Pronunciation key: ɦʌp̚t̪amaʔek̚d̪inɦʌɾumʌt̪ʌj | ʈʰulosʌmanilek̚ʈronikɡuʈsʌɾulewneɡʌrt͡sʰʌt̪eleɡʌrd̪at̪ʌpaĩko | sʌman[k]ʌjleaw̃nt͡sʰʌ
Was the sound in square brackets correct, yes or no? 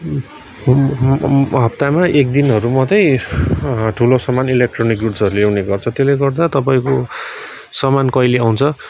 yes